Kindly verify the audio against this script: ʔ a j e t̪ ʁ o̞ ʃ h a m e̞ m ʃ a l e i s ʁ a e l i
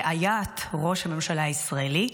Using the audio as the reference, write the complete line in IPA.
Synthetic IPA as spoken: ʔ a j a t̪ ʁ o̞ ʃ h a m e̞ m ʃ a l a i s ʁ a e l i